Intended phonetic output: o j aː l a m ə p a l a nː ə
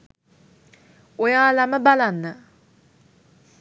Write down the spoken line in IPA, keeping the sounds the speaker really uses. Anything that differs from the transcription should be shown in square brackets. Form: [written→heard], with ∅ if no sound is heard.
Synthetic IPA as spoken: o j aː l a m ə [p→b] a l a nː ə